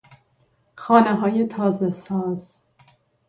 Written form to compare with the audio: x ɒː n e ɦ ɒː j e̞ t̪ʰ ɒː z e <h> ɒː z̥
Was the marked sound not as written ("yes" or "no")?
yes